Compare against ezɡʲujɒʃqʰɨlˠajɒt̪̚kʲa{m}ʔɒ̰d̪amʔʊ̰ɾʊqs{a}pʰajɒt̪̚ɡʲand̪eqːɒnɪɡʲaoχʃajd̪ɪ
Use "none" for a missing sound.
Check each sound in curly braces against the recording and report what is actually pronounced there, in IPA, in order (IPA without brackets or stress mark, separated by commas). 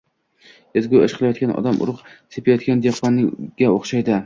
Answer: n, e